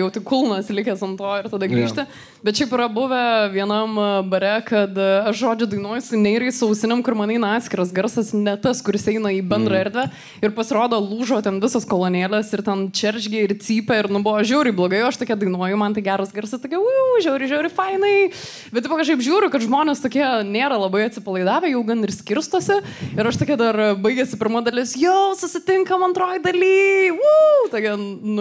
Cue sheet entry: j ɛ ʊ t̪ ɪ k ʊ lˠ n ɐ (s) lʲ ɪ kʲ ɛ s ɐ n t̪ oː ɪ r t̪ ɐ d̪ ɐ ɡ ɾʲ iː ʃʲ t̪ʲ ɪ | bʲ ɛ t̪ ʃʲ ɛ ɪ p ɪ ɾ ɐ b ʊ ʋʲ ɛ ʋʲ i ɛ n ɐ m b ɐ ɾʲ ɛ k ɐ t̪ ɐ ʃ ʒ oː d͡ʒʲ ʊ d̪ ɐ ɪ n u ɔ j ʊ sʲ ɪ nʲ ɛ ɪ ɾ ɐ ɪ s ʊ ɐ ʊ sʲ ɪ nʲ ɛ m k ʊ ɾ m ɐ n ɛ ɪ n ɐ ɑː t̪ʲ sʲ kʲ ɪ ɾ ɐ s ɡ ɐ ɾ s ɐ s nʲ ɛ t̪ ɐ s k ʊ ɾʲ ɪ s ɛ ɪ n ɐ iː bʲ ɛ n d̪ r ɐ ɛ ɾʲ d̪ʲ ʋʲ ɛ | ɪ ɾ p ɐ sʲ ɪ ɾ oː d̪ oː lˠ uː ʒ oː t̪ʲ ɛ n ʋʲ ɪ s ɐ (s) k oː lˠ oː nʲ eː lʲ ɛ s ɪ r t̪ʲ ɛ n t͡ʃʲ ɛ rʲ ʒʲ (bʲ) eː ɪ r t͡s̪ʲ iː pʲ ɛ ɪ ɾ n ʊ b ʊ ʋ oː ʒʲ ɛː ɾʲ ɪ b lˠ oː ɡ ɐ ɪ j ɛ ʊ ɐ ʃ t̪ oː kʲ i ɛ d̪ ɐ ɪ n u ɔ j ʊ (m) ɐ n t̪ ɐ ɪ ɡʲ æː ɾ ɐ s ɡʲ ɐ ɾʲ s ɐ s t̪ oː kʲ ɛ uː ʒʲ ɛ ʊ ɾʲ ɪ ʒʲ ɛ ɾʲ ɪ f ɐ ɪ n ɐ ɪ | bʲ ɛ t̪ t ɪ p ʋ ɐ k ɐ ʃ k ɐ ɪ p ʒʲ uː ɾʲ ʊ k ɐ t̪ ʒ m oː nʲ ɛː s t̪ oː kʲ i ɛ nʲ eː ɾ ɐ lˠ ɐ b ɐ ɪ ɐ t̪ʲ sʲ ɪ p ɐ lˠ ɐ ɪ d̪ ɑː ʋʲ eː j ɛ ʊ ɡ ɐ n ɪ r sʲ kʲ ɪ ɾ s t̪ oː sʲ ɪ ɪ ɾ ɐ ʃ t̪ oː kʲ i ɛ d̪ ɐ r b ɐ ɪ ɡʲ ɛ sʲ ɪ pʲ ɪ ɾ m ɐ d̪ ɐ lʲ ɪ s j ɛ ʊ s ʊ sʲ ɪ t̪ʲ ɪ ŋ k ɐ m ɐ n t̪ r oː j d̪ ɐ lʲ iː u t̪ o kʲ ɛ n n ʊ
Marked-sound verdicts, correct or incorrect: correct, correct, incorrect: ɡʲ, correct

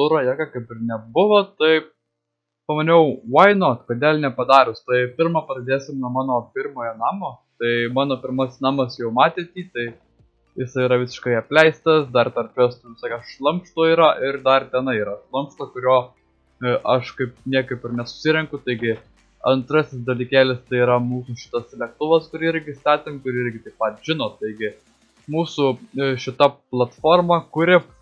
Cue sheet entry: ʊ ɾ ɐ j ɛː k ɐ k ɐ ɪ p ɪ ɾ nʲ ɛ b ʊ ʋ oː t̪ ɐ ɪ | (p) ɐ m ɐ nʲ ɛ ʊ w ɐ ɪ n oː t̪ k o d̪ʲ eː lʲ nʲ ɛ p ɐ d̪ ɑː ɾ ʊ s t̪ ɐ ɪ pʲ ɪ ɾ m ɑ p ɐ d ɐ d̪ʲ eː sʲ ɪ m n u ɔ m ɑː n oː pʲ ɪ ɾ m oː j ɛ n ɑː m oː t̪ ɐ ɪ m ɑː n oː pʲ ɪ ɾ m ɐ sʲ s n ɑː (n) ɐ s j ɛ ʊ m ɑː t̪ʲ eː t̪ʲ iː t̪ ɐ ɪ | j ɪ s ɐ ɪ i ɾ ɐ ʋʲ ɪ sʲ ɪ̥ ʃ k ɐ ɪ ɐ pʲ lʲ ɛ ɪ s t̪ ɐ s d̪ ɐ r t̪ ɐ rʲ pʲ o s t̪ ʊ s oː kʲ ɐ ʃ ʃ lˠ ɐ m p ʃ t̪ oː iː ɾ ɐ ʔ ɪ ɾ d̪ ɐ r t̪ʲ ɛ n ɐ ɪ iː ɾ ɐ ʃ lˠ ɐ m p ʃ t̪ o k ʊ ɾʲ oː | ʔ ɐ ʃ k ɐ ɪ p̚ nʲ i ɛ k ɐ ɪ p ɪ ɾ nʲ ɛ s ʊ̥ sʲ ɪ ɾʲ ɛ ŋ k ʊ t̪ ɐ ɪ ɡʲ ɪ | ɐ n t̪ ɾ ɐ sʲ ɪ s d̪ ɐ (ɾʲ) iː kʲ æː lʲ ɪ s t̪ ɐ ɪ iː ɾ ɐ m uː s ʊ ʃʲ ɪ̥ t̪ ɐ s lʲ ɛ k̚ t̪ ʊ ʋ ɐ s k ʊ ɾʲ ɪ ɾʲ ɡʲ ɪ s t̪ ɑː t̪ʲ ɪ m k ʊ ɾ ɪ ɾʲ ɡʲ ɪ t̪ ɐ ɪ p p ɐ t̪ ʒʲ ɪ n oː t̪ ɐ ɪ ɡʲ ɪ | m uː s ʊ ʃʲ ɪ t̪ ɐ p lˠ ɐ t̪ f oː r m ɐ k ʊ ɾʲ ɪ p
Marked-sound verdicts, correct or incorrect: correct, incorrect: m, incorrect: lʲ

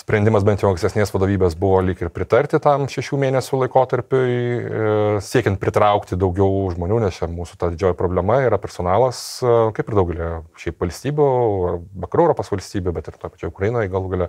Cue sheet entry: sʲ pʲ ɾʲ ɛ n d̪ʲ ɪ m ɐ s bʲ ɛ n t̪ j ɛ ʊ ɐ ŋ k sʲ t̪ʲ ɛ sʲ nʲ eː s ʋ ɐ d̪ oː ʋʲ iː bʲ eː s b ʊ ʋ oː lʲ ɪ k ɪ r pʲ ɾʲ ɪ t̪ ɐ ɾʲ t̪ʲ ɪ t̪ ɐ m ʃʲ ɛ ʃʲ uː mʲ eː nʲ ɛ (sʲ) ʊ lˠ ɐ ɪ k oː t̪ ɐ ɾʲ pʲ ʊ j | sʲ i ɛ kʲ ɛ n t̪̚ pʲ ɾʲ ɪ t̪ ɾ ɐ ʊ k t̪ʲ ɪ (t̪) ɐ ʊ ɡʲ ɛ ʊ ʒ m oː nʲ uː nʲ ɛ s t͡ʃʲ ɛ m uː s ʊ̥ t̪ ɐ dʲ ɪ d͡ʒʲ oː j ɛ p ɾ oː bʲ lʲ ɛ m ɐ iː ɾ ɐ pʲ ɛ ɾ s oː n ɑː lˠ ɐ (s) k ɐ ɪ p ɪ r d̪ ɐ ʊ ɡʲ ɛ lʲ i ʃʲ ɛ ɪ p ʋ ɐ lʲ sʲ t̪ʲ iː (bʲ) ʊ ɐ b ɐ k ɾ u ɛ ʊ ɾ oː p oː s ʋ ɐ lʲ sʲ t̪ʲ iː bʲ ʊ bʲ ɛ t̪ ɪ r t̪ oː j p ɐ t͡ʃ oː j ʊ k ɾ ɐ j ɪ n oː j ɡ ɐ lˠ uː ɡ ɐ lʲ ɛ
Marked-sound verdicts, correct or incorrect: correct, incorrect: d̪, correct, correct

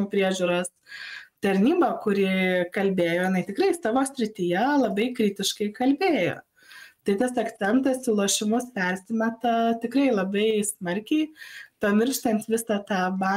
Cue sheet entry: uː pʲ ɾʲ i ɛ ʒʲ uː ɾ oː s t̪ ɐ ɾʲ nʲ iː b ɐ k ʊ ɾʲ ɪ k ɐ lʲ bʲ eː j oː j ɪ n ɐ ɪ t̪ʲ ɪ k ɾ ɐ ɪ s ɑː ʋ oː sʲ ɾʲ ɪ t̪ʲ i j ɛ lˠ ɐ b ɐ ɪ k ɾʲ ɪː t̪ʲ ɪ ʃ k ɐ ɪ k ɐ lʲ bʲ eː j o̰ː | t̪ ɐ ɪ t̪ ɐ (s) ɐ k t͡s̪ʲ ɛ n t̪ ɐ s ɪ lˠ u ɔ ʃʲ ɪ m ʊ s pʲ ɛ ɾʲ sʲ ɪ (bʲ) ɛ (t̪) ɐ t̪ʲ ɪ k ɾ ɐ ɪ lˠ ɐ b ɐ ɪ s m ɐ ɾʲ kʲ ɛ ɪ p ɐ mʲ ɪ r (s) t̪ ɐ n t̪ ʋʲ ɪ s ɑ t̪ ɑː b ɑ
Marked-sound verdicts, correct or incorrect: correct, incorrect: mʲ, correct, incorrect: ʃ

